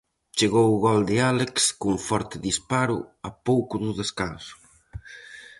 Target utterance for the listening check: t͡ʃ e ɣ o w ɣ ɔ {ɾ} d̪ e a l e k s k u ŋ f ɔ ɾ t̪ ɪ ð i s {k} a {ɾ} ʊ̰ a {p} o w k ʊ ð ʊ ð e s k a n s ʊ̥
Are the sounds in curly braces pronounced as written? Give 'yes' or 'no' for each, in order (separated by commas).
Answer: no, no, yes, yes